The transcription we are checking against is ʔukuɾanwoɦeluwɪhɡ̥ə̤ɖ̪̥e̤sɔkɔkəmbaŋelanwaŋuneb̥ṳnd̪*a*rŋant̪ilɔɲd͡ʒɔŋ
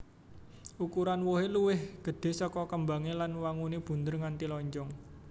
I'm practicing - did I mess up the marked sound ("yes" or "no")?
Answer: yes